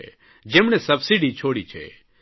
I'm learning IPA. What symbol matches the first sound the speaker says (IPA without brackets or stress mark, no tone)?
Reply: d͡ʒ